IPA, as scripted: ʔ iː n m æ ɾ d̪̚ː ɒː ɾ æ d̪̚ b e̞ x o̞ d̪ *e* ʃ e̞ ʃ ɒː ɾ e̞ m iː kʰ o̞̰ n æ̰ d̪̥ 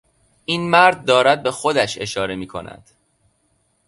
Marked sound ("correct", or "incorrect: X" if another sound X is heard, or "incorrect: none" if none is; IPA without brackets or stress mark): incorrect: æ